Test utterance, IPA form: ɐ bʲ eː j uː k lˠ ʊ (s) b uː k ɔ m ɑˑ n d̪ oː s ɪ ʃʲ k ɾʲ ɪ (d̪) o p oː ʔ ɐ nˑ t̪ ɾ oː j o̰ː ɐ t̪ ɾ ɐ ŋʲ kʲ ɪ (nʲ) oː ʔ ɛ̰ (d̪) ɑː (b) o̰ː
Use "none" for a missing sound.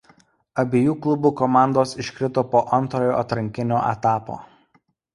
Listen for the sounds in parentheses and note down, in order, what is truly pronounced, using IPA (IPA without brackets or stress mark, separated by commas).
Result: none, t̪, nʲ, t̪, p